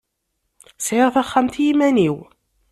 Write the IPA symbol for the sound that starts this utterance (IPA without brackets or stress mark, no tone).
s